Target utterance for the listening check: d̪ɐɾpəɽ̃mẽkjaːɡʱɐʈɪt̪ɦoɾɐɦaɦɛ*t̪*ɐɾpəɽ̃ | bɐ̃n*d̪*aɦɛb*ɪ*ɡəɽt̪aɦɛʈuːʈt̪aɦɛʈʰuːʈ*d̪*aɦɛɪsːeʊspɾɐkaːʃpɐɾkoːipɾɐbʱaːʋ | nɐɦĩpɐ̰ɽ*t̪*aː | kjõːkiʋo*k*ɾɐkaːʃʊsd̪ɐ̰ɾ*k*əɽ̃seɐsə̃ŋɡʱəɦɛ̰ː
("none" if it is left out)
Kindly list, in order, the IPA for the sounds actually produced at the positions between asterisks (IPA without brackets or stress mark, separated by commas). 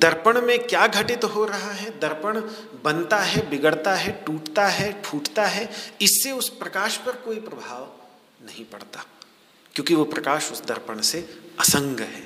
d̪, t̪, ɪ, t̪, t̪, p, p